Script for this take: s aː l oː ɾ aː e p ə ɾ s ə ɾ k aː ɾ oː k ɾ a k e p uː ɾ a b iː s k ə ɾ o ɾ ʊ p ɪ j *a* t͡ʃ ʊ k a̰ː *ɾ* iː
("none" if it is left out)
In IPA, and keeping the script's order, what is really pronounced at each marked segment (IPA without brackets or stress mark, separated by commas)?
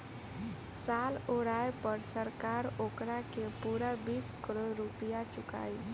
a, none